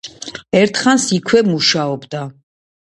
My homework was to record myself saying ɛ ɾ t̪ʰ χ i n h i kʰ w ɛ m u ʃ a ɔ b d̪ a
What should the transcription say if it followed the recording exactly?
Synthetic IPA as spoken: ɛ ɾ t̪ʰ χ a n s i kʰ w ɛ m u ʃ a ɔ b d̪ a